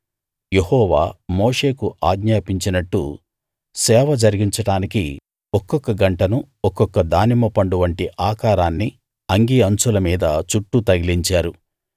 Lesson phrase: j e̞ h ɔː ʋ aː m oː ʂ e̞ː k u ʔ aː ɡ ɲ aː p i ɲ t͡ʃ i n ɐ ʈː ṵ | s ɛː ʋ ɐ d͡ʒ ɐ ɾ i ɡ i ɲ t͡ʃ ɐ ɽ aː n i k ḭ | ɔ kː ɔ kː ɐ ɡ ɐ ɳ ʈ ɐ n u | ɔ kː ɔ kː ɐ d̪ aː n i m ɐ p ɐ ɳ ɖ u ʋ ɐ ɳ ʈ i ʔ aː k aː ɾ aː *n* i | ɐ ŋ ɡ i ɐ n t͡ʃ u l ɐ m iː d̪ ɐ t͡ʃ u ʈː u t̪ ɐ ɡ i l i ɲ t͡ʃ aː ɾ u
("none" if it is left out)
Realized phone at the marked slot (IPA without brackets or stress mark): nː